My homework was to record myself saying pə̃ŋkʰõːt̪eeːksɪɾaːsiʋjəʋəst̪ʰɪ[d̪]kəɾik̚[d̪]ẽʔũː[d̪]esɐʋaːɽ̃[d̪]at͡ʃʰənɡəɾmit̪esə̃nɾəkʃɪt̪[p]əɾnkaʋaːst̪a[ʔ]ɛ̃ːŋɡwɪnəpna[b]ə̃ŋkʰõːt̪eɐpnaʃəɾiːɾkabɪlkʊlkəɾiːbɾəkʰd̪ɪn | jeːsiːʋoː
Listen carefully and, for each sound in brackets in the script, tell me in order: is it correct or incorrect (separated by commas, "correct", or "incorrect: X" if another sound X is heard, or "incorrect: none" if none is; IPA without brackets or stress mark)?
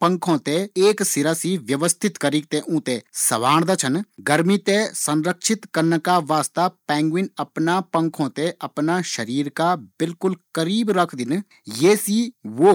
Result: incorrect: t̪, incorrect: t̪, incorrect: t̪, correct, incorrect: k, incorrect: p, incorrect: p